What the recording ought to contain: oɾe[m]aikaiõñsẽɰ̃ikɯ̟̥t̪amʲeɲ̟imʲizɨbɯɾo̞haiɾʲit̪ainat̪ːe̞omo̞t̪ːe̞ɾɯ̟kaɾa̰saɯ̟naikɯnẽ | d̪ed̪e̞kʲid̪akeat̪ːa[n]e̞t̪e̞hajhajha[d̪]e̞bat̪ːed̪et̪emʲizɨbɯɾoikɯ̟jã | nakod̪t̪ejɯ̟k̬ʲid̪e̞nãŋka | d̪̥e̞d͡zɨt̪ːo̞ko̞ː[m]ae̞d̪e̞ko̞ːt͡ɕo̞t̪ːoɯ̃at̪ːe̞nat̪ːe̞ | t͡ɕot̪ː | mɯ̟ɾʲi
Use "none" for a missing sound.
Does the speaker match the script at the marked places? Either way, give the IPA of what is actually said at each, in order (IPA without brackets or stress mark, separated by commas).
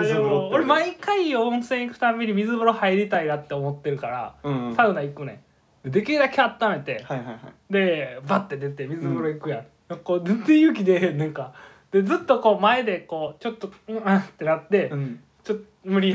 m, m, d̪, m